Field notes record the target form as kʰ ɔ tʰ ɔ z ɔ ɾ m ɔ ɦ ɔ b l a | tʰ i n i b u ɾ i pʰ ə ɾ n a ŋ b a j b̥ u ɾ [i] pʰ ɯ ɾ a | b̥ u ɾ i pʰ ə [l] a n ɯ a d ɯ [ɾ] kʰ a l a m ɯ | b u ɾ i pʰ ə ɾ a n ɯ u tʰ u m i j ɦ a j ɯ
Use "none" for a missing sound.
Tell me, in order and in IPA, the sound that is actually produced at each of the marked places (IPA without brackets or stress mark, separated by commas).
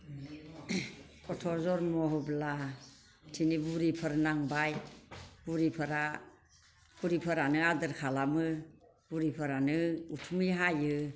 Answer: i, ɾ, ɾ